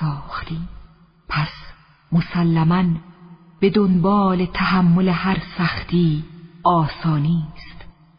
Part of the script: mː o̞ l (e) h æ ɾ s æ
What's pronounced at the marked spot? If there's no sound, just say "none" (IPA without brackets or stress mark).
e